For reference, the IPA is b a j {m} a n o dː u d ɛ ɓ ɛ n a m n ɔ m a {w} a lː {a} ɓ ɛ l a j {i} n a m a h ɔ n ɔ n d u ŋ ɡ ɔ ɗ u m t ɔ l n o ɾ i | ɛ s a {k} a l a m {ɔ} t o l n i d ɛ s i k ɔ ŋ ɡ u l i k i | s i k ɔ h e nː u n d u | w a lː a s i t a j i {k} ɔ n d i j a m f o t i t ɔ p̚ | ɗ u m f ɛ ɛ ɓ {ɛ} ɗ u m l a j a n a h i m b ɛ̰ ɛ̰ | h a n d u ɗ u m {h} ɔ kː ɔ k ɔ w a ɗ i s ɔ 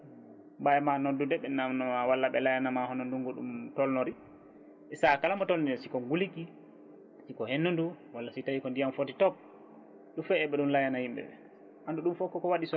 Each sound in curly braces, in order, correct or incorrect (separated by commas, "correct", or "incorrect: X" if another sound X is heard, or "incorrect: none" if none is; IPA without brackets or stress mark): correct, correct, correct, incorrect: a, correct, correct, correct, correct, incorrect: f